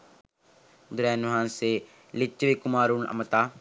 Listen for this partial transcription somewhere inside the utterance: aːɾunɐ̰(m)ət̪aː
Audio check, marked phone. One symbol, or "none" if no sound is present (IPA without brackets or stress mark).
m